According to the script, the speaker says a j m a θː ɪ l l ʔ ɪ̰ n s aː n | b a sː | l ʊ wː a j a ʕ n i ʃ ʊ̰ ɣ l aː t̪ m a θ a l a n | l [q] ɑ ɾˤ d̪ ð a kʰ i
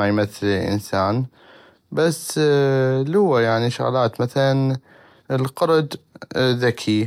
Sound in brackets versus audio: correct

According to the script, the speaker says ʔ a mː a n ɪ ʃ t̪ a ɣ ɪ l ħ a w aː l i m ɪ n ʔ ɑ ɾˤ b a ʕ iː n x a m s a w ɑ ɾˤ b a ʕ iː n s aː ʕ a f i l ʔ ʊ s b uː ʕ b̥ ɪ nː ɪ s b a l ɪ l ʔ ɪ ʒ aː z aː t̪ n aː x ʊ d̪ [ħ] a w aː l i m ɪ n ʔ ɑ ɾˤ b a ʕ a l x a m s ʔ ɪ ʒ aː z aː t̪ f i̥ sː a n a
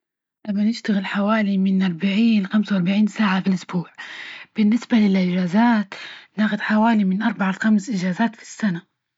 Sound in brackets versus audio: correct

